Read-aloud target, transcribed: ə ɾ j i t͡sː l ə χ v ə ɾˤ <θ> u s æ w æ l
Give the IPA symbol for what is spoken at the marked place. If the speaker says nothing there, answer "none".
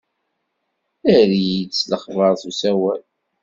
θ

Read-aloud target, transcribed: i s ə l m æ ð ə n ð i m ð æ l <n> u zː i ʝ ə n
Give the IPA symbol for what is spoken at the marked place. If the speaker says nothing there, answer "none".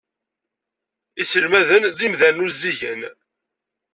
n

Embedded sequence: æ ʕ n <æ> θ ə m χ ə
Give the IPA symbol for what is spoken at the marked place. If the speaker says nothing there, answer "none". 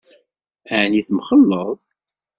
i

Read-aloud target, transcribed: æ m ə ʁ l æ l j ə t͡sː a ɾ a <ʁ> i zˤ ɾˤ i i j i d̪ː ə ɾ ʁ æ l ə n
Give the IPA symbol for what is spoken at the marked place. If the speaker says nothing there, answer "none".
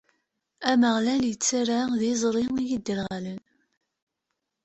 ð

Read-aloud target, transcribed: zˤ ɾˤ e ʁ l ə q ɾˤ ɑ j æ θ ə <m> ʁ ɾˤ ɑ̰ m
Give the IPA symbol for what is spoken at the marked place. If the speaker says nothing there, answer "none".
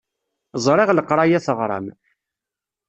none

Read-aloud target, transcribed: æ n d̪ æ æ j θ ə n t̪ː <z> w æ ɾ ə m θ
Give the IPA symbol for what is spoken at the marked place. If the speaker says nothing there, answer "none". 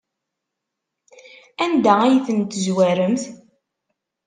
z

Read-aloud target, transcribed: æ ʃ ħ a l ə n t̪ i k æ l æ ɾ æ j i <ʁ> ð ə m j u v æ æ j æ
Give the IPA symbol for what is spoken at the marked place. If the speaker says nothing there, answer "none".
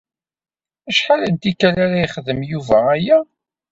χ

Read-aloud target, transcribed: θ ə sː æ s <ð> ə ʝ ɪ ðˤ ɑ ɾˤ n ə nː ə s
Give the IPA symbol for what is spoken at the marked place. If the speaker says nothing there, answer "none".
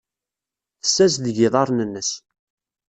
ð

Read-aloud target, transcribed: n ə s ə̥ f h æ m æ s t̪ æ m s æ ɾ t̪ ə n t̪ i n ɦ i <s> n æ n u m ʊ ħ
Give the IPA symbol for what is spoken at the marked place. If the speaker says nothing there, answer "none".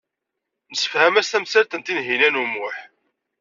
none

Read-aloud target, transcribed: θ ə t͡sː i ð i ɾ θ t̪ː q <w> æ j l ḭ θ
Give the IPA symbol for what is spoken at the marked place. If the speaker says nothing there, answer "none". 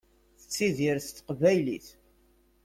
v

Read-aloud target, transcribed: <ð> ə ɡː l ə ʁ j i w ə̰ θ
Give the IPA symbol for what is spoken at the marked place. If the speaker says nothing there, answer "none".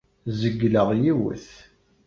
z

